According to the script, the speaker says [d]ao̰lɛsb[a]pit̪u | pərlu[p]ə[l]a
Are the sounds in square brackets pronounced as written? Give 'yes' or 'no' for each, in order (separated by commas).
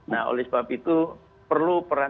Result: no, yes, yes, no